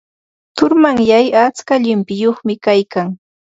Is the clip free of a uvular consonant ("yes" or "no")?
no